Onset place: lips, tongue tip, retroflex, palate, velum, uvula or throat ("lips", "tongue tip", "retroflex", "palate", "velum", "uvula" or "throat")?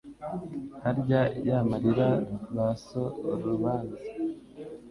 throat